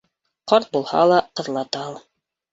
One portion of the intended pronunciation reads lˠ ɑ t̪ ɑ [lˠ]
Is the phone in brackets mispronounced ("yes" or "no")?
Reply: no